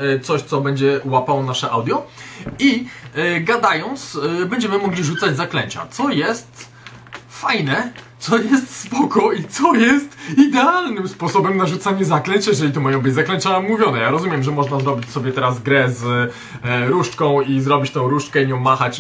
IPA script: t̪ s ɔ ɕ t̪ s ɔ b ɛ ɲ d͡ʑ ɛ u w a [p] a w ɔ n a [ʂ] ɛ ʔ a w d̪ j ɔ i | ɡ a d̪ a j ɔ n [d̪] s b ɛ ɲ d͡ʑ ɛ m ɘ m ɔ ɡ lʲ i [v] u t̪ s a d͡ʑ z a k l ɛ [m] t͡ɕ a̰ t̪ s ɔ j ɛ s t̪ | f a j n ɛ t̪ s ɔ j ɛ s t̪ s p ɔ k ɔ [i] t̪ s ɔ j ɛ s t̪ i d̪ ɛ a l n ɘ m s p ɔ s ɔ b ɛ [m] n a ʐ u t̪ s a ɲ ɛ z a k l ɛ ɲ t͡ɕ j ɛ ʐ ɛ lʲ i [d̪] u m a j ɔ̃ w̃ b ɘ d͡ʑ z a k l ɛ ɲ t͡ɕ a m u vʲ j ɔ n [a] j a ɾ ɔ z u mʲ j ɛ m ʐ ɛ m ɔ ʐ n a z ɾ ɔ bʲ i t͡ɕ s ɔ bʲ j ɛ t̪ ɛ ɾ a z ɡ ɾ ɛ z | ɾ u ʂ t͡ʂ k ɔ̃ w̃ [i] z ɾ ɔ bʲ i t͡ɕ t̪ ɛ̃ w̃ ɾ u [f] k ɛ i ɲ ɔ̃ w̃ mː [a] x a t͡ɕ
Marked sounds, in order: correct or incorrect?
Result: correct, correct, incorrect, incorrect, incorrect, correct, correct, incorrect, incorrect, correct, incorrect, correct

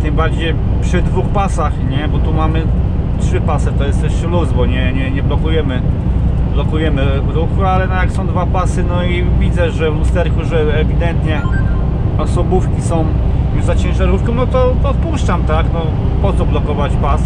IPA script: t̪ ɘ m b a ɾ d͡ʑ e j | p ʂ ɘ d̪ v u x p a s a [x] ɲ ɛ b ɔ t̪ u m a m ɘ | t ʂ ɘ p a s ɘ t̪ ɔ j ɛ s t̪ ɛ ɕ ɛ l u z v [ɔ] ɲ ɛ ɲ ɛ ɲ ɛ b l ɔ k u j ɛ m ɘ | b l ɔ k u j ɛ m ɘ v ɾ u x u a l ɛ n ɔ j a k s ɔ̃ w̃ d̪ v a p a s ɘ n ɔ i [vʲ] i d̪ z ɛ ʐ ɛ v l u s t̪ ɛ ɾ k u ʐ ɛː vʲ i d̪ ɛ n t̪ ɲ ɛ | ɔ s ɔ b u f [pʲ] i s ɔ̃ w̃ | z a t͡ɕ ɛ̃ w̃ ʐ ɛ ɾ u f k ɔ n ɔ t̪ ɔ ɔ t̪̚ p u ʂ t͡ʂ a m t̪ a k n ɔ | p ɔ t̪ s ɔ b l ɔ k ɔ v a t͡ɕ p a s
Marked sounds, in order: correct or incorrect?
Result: correct, correct, correct, incorrect

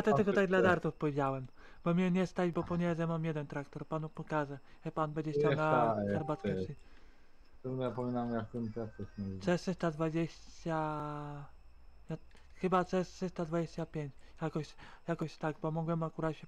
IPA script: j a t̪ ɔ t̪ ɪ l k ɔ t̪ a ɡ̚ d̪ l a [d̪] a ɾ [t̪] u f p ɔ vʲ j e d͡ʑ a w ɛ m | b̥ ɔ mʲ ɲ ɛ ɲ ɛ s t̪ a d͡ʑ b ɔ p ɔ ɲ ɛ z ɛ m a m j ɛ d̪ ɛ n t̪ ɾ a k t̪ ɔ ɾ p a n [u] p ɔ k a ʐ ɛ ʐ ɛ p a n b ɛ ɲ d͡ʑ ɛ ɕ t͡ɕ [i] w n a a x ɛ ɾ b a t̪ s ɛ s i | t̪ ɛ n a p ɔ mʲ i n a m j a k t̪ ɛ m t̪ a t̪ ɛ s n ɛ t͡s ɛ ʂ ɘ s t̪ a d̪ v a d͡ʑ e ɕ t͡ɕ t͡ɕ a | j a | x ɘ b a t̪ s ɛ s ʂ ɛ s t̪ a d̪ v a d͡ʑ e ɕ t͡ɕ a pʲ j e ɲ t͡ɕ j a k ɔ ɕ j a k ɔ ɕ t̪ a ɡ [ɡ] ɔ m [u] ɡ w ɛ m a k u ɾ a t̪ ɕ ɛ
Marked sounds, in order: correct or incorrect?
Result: correct, correct, correct, incorrect, incorrect, incorrect

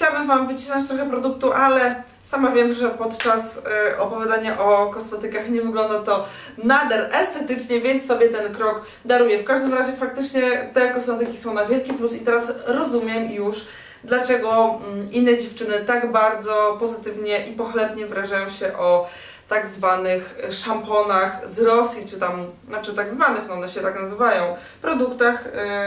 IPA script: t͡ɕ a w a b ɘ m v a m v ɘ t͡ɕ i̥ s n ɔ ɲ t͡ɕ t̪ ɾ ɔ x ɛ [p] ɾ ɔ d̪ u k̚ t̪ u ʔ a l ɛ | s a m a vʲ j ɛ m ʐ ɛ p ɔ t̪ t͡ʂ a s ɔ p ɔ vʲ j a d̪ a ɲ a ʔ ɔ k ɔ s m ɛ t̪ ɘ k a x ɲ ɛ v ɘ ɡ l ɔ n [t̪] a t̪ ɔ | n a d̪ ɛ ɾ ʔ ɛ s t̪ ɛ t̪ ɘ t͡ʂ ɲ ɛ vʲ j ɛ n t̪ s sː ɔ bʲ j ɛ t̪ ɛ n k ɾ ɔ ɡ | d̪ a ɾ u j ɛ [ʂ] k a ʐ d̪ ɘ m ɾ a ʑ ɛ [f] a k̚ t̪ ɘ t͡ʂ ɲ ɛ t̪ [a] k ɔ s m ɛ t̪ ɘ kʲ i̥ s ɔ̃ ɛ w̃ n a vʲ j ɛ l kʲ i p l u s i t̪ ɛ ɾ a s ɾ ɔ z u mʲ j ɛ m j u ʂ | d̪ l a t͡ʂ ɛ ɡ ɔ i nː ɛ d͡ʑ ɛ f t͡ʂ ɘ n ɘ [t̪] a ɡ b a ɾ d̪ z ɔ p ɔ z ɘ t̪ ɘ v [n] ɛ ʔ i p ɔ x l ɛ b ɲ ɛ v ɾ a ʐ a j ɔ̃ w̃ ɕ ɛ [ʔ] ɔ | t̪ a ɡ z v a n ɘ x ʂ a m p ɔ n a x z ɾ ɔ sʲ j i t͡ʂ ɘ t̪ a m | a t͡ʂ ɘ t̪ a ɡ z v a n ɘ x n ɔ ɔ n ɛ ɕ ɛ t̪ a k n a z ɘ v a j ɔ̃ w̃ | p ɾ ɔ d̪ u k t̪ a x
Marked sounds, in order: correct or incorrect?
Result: correct, incorrect, incorrect, correct, incorrect, correct, incorrect, correct

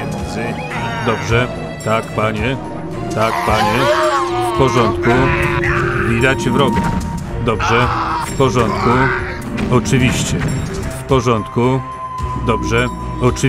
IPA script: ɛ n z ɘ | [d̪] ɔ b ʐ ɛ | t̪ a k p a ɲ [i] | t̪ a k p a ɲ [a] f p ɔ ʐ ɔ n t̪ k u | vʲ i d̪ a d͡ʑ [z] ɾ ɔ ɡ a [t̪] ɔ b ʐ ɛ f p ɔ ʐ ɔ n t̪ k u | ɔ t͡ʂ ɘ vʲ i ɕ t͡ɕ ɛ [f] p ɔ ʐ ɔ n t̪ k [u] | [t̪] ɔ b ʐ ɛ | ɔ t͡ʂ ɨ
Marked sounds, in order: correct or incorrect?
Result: correct, incorrect, incorrect, incorrect, incorrect, correct, correct, incorrect

